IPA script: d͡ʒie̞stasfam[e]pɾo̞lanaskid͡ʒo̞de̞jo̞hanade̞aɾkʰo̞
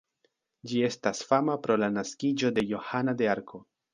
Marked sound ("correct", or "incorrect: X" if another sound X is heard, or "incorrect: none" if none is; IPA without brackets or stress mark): incorrect: a